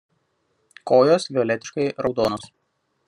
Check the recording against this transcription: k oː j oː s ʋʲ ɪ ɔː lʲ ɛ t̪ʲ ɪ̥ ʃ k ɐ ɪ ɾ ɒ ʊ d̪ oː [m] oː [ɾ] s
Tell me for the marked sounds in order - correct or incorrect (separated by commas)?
incorrect, incorrect